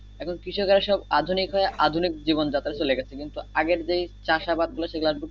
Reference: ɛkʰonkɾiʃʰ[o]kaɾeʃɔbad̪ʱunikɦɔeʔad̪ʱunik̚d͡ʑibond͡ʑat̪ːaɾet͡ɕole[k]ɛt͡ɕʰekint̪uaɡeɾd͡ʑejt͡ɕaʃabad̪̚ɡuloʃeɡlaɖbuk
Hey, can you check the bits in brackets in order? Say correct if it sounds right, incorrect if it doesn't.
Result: correct, incorrect: ɡ

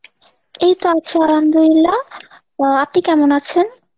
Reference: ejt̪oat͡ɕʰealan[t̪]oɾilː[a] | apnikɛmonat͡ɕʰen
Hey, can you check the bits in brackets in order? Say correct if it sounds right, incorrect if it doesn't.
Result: incorrect: d̪, correct

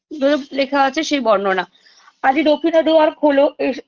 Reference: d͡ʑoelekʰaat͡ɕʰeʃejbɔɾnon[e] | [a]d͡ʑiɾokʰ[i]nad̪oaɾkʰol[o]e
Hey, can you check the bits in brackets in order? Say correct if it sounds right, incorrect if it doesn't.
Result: incorrect: a, correct, correct, correct

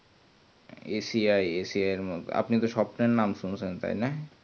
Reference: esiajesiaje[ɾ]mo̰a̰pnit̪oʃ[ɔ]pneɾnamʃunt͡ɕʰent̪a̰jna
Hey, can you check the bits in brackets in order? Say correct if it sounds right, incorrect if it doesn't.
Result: correct, correct

